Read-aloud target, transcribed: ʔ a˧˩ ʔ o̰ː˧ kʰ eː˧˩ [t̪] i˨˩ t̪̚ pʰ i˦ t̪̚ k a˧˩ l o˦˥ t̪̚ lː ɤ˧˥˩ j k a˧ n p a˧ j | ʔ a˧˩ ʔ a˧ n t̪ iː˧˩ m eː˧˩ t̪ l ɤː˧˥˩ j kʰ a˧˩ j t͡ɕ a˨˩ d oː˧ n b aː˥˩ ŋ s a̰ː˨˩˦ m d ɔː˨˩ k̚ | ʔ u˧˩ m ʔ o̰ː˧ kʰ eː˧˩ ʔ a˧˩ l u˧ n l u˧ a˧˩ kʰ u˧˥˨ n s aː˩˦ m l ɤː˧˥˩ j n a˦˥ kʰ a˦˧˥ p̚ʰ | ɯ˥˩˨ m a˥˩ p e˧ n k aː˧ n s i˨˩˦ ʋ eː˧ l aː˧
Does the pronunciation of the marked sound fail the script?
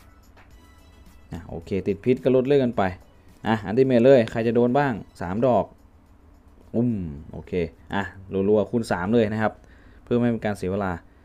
no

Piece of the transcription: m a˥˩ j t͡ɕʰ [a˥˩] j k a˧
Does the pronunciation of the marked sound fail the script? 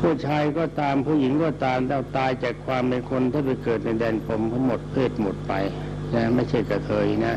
no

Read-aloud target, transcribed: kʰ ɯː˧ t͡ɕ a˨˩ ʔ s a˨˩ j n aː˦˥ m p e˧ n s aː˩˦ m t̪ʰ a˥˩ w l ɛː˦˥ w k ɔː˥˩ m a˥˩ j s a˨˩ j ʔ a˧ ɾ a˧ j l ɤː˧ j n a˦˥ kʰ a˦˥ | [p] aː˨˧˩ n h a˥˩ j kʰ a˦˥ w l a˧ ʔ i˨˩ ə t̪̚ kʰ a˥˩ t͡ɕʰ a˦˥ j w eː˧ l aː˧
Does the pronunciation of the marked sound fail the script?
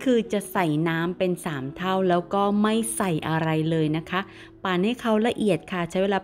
no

